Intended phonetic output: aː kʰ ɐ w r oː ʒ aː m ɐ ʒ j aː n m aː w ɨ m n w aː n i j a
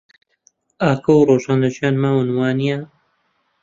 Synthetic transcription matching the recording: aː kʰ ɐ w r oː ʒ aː n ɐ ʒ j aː n m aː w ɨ n w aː n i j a